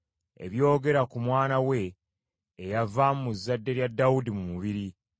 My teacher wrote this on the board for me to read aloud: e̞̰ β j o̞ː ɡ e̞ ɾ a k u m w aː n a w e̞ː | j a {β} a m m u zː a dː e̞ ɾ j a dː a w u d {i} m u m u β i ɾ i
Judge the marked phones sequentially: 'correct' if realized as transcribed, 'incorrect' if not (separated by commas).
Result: incorrect, correct